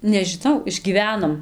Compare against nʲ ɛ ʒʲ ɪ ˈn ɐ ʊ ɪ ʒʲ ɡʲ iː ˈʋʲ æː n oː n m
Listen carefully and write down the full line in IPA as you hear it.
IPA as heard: nʲ ɛ ʒʲ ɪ ˈn ɐ ʊ ɪ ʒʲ ɡʲ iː ˈʋʲ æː n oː m